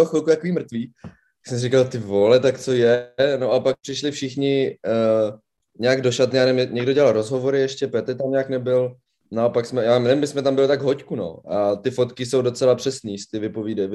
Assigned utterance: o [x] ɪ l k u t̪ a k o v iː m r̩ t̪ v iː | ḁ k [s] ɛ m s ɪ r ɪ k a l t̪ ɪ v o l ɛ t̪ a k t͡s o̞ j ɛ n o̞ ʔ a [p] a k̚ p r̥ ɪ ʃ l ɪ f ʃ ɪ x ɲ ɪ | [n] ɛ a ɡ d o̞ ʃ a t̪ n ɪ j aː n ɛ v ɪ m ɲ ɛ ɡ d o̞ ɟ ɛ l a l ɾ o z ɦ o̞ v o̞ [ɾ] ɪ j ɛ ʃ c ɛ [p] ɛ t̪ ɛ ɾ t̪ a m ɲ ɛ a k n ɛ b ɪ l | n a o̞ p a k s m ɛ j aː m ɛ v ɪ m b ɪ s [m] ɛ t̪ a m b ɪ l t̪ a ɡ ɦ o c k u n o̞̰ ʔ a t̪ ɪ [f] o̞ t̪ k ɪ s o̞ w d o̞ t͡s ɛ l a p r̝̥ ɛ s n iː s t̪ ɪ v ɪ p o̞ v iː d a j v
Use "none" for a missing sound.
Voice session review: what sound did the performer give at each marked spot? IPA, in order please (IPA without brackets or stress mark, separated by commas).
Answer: x, s, p, ɲ, ɾ, p, m, f